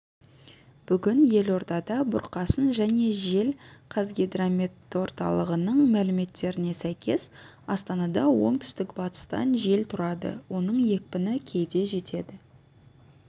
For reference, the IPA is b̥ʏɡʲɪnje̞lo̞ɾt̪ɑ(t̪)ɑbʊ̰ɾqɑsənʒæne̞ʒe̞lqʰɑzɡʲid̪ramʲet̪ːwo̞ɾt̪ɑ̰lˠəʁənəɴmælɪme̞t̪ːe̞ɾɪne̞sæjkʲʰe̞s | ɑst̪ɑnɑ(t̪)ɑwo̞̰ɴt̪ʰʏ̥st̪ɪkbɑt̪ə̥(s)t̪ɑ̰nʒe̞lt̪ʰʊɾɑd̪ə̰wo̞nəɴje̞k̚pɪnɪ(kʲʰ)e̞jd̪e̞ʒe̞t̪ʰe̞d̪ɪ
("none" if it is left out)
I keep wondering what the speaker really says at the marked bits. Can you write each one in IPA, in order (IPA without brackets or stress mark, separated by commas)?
d̪, d̪, s, kʲʰ